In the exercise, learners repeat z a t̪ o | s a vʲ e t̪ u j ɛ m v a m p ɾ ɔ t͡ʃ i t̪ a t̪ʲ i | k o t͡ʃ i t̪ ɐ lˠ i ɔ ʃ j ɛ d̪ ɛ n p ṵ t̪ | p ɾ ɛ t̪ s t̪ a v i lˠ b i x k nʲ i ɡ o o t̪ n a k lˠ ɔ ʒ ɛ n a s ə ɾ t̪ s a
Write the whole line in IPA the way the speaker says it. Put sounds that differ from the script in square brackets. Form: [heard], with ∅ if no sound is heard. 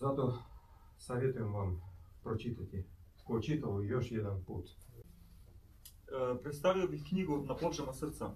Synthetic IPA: z a t̪ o | s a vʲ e t̪ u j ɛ m v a m p ɾ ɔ t͡ʃ i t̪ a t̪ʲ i | k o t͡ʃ i t̪ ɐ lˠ [j] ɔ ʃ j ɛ d̪ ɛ n p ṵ t̪ | p ɾ ɛ t̪ s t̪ a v i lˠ b i x k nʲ i ɡ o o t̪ n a [p] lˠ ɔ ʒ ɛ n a s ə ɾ t̪ s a